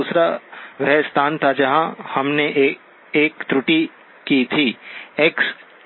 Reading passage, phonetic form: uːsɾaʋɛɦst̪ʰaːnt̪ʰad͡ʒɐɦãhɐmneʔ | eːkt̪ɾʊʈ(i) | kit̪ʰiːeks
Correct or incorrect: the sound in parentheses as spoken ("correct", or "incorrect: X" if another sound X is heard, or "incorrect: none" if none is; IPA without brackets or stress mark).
correct